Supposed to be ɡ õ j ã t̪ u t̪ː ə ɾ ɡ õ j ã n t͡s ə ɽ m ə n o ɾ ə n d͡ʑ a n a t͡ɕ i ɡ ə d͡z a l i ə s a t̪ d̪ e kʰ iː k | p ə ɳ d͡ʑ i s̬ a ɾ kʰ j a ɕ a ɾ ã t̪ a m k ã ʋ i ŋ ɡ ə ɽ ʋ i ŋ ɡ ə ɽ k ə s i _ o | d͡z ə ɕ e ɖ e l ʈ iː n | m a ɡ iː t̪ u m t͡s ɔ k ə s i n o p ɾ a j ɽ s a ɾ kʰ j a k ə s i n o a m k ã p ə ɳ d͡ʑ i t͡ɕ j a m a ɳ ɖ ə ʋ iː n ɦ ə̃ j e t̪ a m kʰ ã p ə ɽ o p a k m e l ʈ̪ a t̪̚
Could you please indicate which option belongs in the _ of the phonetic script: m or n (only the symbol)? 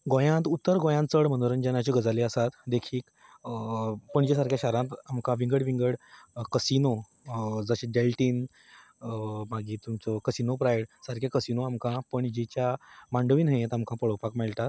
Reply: n